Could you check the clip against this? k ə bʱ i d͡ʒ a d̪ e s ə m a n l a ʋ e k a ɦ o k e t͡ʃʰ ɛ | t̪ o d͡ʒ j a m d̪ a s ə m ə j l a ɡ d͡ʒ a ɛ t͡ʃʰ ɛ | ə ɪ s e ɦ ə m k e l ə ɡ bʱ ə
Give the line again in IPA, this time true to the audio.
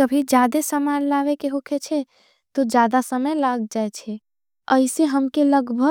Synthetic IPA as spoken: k ə bʱ i d͡ʒ a d̪ e s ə m a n l a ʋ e k e ɦ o kʰ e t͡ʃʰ ɛ | t̪ o d͡ʒ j a d̪ a s ə m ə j l a ɡ d͡ʒ a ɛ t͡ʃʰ ɛ | ə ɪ s e ɦ ə m k e l ə ɡ bʱ ə